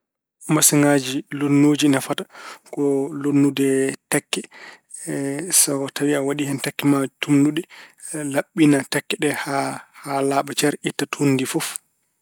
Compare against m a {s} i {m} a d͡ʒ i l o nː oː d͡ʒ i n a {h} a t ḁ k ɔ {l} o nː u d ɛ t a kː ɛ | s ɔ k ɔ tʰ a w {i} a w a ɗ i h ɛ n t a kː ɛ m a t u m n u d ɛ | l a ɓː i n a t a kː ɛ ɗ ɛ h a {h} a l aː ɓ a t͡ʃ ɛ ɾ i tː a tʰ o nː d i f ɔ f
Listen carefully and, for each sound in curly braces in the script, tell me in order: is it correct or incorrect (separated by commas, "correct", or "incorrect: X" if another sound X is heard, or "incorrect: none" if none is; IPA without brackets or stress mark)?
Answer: correct, incorrect: ŋ, incorrect: f, correct, correct, correct